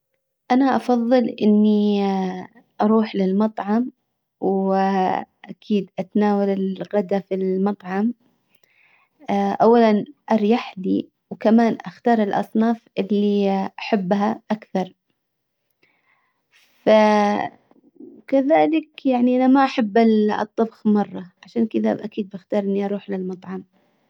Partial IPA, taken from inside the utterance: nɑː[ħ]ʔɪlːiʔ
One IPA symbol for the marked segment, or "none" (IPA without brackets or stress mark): f